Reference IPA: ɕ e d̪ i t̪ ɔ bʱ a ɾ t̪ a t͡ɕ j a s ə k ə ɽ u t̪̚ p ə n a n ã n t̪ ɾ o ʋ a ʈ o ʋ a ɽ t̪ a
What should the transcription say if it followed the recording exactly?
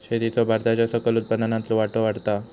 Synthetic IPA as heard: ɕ e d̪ i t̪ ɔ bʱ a ɾ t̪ a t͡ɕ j a s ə k ə l u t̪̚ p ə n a n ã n t̪ l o ʋ a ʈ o ʋ a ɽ t̪ a